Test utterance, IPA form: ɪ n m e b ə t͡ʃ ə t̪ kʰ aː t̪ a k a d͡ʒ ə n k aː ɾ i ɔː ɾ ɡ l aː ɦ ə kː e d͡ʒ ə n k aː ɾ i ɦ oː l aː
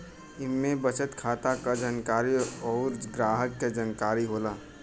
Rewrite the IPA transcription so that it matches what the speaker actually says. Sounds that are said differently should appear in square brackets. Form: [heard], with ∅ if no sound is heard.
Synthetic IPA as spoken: ɪ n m e b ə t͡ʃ ə t̪ kʰ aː t̪ a k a d͡ʒ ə n k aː ɾ i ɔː ɾ ɡ [ɾ] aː ɦ ə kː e d͡ʒ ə n k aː ɾ i ɦ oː l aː